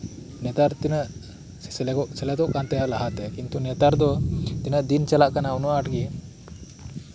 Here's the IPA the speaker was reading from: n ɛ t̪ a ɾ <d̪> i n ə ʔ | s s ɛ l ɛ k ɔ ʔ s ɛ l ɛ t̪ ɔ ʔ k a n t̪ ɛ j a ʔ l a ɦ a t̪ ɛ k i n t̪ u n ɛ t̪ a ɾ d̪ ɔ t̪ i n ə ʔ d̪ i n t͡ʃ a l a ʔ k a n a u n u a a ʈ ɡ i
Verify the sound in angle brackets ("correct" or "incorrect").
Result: incorrect